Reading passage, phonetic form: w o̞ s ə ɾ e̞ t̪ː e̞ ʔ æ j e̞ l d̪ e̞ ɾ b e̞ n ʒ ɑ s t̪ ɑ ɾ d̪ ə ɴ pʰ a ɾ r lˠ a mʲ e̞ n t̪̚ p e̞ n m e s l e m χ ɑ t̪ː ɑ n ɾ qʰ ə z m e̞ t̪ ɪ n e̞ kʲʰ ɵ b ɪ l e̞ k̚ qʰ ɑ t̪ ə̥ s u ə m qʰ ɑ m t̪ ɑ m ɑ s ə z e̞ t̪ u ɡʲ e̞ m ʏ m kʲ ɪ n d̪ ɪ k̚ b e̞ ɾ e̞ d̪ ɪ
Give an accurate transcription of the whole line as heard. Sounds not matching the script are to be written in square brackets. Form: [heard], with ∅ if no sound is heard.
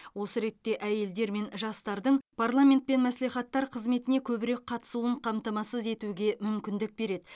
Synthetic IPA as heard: w o̞ s ə ɾ e̞ t̪ː e̞ ʔ æ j e̞ l d̪ e̞ ɾ [m] e̞ n ʒ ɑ s t̪ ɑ ɾ d̪ ə ɴ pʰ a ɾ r lˠ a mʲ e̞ n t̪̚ p e̞ n m [æ] s l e [∅] χ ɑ t̪ː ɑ [∅] ɾ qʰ ə z m e̞ t̪ ɪ n e̞ kʲʰ ɵ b ɪ [ɾ] e̞ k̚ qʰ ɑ t̪ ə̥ s u ə [ɴ] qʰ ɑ m t̪ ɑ m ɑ s ə z e̞ t̪ u ɡʲ e̞ m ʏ m kʲ ɪ n d̪ ɪ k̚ b e̞ ɾ e̞ d̪ ɪ

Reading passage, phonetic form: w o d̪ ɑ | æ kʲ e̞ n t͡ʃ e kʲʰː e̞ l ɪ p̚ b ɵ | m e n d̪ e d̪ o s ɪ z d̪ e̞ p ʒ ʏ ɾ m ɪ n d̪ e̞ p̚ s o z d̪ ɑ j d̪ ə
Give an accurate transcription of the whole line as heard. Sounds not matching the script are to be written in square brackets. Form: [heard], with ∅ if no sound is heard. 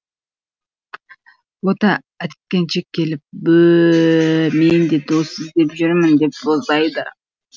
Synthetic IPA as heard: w o [t̪] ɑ | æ kʲ e̞ n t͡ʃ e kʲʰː e̞ l ɪ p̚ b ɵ | m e n d̪ e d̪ o s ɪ z d̪ e̞ p ʒ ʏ ɾ m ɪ n d̪ e̞ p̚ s o z d̪ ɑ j d̪ ə

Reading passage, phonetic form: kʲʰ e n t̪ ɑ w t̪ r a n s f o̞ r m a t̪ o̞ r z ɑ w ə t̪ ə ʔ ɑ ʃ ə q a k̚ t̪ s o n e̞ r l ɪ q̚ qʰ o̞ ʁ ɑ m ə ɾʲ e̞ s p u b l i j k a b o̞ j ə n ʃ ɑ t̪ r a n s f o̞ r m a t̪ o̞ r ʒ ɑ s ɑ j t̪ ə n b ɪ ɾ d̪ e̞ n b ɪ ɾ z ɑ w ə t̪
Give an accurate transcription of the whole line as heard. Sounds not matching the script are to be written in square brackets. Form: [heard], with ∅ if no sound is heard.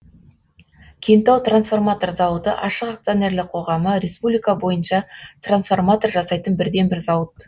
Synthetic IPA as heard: kʲʰ e n t̪ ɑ w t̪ r a n s f o̞ r m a t̪ o̞ r z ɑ w ə t̪ ə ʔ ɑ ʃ ə q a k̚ t̪ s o n e̞ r l ɪ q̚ qʰ o̞ ʁ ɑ m ə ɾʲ e̞ s p u b l i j k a b o̞ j ə n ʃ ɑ t̪ r a n s f o̞ r m a t̪ o̞ r ʒ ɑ s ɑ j t̪ ə n b ɪ ɾ d̪ e̞ n b ɪ ɾ z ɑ w ə t̪

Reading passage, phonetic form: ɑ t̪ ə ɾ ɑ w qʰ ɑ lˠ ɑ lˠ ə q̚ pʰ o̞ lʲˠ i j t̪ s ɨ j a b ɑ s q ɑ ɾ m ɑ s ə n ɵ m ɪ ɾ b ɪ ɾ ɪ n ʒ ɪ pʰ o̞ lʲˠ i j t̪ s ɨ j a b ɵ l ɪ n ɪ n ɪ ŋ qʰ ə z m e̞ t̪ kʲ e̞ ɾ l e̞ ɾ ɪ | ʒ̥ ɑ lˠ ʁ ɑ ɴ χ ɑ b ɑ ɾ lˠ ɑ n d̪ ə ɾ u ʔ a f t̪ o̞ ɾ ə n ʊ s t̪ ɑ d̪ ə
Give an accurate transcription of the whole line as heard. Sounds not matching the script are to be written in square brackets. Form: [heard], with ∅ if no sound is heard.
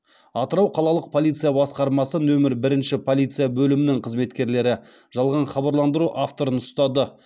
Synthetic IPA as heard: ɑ t̪ ə ɾ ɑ w qʰ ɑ lˠ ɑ lˠ ə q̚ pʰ o̞ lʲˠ i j t̪ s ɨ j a b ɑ s q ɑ ɾ m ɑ s ə n ɵ m ɪ ɾ b ɪ ɾ ɪ n [ʃ] ɪ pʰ o̞ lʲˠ i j t̪ s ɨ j a b ɵ l ɪ [m] ɪ n ɪ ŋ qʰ ə z m e̞ t̪ kʲ e̞ ɾ l e̞ ɾ ɪ | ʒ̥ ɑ lˠ ʁ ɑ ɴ χ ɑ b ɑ ɾ lˠ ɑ n d̪ ə ɾ u ʔ a f t̪ o̞ ɾ ə n ʊ s t̪ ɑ d̪ ə

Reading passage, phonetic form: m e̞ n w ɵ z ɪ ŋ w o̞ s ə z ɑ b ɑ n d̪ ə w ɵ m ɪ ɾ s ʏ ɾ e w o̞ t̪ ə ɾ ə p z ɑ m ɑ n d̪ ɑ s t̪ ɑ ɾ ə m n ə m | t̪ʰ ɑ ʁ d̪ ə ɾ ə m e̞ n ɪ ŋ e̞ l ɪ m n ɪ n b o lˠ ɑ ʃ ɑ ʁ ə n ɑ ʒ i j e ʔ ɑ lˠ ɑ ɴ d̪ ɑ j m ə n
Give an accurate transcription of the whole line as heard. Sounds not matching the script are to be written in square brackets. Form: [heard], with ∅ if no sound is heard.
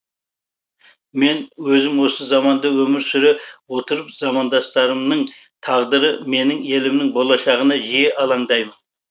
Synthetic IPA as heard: m e̞ n w ɵ z ɪ [m] w o̞ s ə z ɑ [m] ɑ n d̪ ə w ɵ m ɪ ɾ s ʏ ɾ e w o̞ t̪ ə ɾ ə p z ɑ m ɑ n d̪ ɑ s t̪ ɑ ɾ ə m n ə [ɴ] | t̪ʰ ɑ ʁ d̪ ə ɾ ə m e̞ n ɪ ŋ e̞ l ɪ m n ɪ [ŋ] b o lˠ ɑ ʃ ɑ ʁ ə n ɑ ʒ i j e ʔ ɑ lˠ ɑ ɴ d̪ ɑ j m ə n

